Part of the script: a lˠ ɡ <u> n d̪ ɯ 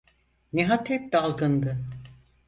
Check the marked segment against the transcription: incorrect: ɯ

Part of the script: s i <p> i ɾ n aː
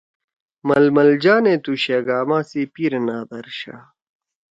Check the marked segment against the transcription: correct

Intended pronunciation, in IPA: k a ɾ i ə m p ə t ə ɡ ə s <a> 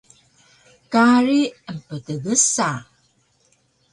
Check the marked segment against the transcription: correct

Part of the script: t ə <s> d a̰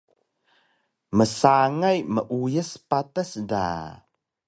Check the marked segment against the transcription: correct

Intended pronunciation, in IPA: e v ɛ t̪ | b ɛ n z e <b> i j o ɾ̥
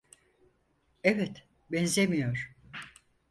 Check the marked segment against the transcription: incorrect: m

